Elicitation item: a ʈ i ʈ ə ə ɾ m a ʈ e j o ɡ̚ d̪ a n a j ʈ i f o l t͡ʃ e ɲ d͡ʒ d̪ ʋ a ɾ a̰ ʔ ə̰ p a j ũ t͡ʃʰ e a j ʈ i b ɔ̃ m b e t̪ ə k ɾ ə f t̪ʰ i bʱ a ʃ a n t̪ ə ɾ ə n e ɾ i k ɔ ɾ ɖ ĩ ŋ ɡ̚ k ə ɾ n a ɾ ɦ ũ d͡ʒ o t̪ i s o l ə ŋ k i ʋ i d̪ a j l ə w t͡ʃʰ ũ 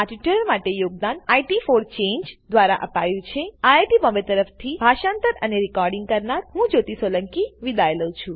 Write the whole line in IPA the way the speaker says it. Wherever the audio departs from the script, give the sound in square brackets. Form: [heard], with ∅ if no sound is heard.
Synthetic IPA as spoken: a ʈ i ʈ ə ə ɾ m a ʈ e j o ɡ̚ d̪ a n a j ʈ i f o [ɾ] t͡ʃ e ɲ d͡ʒ d̪ ʋ a ɾ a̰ ʔ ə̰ p a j ũ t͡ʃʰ e a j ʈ i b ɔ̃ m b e t̪ ə [∅] ɾ ə f t̪ʰ i bʱ a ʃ a n t̪ ə ɾ ə n e ɾ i k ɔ ɾ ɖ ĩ ŋ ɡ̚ k ə ɾ n a ɾ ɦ ũ d͡ʒ o t̪ i s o l ə ŋ k i ʋ i d̪ a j l ə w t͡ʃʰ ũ